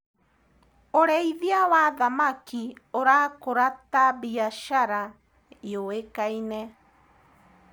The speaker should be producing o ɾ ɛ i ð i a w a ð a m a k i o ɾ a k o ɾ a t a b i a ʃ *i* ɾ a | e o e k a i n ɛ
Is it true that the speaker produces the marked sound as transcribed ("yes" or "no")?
no